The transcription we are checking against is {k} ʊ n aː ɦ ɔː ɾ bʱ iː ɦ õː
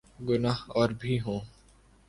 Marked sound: incorrect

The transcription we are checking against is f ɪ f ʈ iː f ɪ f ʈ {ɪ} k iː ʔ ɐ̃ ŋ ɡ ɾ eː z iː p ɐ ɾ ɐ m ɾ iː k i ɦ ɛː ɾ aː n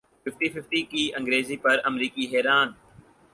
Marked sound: incorrect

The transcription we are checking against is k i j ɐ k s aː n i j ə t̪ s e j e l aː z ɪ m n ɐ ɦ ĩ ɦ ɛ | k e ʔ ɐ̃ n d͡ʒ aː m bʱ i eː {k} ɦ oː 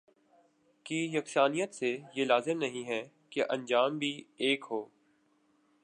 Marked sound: correct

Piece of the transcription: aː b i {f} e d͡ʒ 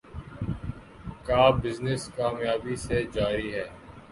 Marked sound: incorrect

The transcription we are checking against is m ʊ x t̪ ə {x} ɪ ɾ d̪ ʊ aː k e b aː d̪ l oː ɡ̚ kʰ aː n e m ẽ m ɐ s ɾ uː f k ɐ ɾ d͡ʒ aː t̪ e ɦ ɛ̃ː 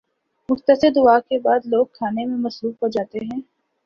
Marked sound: incorrect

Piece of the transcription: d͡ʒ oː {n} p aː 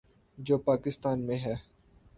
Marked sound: incorrect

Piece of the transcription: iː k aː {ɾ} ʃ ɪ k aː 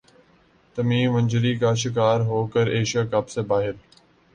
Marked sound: incorrect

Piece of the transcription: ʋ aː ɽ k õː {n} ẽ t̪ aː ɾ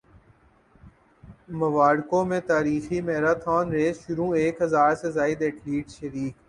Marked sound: incorrect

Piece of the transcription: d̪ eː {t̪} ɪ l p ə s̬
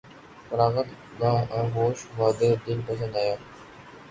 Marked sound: incorrect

